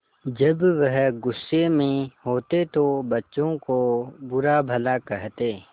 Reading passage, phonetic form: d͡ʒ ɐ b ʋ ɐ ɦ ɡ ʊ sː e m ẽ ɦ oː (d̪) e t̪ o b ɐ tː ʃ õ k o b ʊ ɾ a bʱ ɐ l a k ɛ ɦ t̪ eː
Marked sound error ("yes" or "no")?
yes